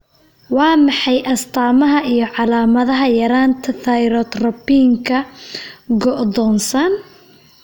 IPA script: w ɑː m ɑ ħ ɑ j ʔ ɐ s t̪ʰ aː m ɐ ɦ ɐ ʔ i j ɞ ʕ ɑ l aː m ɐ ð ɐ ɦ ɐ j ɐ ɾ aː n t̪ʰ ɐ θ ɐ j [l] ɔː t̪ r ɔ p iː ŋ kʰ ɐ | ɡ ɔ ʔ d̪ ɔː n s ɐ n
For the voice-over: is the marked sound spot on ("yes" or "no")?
no